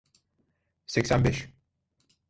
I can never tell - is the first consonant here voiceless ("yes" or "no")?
yes